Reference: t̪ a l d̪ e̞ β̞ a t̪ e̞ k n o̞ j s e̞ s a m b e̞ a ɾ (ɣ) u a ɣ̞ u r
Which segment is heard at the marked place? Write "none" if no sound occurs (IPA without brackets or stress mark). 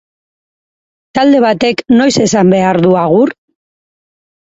ð